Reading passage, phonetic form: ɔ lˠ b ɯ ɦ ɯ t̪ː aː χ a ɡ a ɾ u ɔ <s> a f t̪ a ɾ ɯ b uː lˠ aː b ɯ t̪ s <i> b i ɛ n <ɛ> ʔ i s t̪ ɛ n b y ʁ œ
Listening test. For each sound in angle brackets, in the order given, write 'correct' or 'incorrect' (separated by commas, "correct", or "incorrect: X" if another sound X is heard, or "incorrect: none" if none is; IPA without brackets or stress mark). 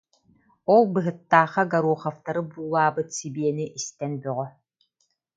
incorrect: χ, correct, incorrect: i